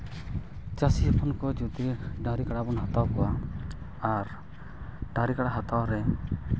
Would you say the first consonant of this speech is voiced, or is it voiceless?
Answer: voiceless